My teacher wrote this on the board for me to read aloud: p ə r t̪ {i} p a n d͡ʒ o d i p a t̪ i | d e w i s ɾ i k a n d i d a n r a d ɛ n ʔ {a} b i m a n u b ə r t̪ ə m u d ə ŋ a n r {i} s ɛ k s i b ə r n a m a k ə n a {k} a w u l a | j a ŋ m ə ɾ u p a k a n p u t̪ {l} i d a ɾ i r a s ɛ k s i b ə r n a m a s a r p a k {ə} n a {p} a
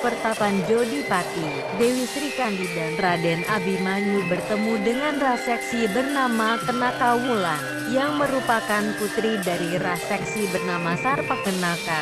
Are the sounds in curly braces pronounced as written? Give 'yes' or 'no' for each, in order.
no, yes, no, yes, no, yes, no

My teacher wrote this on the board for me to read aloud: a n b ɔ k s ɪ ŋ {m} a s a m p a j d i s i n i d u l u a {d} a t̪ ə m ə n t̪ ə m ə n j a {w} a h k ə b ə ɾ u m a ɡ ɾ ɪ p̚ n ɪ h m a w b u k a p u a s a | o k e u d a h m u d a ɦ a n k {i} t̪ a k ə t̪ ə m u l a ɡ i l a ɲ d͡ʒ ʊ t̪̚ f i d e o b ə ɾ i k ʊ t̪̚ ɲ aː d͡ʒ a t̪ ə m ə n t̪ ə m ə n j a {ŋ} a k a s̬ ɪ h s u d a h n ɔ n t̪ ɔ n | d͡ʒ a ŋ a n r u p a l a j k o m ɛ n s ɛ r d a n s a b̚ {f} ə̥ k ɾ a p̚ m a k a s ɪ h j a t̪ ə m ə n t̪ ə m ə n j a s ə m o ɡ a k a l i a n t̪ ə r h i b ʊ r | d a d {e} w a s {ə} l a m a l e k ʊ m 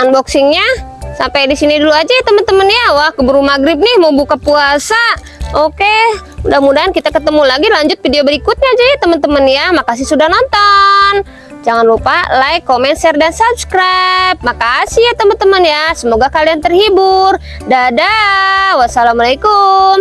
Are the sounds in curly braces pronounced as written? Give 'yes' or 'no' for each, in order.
no, no, yes, yes, no, no, no, no

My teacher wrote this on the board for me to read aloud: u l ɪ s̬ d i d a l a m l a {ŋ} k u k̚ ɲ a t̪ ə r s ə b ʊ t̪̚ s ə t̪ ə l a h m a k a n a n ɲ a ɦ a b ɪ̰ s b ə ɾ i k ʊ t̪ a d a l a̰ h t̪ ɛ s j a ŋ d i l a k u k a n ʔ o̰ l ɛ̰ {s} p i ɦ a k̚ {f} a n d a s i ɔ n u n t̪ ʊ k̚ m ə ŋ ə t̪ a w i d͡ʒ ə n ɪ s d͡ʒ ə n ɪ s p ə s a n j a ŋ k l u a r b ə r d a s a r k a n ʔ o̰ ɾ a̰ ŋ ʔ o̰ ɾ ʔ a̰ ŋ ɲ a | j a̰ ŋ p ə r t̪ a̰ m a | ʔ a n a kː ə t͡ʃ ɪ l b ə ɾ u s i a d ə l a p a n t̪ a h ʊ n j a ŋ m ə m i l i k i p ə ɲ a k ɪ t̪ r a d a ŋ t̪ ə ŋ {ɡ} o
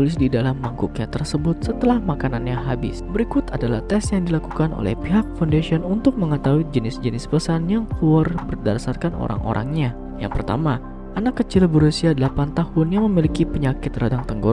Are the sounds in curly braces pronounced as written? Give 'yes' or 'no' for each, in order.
yes, no, yes, yes

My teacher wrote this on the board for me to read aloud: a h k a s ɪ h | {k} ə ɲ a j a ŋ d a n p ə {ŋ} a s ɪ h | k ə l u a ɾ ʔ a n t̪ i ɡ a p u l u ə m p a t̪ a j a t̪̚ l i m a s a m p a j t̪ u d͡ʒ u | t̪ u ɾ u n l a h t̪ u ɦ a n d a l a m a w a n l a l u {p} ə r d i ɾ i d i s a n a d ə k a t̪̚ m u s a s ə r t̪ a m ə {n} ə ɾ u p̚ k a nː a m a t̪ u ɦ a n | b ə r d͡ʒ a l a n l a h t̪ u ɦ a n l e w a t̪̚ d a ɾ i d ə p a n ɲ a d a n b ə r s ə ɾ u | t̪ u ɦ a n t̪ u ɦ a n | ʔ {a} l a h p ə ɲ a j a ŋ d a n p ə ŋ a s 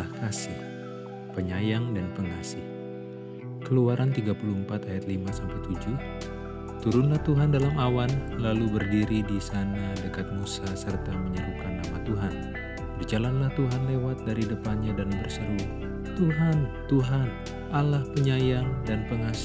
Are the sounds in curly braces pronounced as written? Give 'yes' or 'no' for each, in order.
no, yes, no, no, yes

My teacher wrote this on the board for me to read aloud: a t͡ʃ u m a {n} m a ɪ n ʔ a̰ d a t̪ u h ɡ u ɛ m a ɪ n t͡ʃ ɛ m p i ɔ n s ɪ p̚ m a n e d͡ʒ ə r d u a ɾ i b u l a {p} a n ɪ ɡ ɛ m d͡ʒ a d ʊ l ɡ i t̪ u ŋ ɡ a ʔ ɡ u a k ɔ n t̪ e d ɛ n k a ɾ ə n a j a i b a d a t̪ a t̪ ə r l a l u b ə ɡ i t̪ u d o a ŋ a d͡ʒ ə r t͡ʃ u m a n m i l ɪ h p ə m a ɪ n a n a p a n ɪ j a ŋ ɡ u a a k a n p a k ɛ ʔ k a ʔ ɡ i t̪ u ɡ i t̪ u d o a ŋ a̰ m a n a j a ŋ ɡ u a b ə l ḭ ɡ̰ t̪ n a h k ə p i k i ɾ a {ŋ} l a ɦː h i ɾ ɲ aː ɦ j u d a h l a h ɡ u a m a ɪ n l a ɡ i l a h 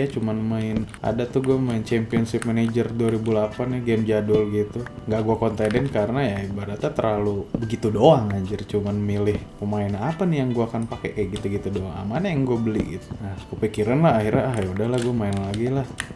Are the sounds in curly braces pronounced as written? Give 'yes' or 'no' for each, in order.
yes, yes, no

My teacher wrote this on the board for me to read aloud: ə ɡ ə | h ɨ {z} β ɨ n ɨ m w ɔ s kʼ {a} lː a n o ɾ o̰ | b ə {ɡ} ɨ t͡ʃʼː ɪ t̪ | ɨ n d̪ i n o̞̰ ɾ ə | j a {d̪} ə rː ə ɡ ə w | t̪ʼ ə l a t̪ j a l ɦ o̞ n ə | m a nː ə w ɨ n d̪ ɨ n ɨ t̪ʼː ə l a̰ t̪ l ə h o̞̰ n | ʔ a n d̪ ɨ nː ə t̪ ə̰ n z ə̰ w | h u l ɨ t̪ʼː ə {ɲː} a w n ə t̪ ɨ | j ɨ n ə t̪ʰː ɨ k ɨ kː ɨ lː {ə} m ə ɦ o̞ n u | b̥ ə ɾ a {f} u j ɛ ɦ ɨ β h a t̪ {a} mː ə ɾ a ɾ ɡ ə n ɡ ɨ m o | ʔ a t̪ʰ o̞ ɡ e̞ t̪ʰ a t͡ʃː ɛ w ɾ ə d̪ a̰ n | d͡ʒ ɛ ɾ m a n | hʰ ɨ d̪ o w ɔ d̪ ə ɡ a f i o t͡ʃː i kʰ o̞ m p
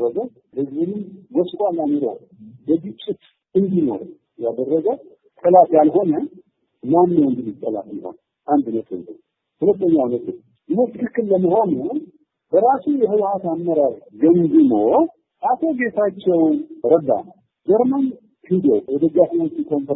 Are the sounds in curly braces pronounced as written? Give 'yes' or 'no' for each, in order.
yes, yes, yes, yes, yes, yes, no, yes

